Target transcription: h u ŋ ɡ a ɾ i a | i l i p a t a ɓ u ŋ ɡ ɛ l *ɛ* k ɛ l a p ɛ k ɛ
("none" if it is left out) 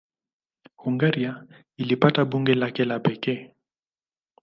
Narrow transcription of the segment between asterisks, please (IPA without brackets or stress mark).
a